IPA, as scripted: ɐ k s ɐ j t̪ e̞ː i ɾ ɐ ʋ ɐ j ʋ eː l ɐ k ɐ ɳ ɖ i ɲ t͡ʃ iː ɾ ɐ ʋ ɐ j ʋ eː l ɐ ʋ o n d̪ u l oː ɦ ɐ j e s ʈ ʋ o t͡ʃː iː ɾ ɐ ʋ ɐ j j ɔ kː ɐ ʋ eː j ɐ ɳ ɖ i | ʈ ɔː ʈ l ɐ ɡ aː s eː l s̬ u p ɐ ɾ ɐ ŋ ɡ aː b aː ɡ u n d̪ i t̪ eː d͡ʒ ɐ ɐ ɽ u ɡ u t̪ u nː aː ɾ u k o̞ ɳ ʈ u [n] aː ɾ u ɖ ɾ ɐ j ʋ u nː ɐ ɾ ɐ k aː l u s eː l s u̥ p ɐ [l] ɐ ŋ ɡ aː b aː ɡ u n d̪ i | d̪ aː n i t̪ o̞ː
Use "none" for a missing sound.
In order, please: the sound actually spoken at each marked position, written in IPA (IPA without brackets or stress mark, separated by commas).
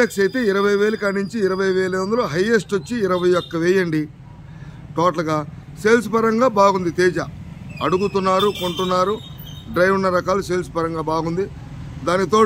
nː, ɾ